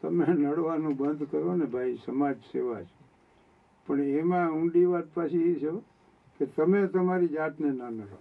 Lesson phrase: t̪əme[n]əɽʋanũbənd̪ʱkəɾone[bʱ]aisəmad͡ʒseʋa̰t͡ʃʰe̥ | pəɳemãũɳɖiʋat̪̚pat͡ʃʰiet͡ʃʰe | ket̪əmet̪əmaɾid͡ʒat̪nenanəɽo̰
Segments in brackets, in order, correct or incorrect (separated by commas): correct, correct